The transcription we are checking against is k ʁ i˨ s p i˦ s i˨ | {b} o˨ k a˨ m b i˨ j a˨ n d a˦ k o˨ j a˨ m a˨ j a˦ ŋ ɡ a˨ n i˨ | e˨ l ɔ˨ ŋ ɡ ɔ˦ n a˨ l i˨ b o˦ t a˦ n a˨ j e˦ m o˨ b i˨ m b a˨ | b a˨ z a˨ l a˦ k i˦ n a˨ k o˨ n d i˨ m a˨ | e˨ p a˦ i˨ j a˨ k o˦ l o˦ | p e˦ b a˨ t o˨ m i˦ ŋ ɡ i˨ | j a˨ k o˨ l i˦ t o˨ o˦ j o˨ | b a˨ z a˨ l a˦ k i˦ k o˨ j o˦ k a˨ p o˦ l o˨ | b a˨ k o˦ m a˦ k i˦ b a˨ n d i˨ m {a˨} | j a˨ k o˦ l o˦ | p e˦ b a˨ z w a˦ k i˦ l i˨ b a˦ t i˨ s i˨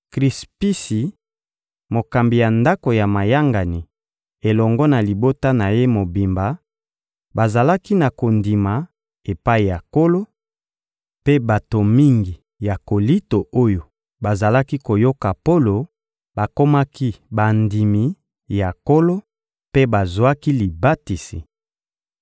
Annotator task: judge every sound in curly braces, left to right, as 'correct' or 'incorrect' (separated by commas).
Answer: incorrect, incorrect